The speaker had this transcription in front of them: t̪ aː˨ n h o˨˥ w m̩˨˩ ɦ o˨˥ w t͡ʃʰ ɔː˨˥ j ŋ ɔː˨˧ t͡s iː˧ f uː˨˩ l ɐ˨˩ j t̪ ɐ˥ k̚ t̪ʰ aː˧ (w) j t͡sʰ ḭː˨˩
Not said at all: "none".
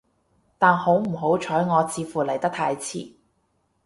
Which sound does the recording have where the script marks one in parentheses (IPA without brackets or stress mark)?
none